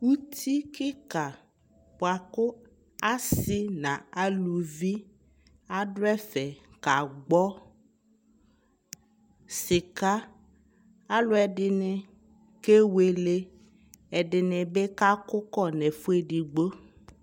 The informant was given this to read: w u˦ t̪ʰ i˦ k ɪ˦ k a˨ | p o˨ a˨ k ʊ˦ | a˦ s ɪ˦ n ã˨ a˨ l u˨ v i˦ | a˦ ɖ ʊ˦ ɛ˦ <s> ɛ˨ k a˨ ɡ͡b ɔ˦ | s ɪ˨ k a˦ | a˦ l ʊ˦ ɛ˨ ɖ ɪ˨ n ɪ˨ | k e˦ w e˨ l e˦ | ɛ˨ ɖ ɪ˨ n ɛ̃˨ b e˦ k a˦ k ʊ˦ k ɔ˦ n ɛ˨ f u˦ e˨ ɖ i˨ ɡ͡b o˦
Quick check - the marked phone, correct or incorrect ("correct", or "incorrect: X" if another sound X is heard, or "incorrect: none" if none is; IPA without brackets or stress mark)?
incorrect: f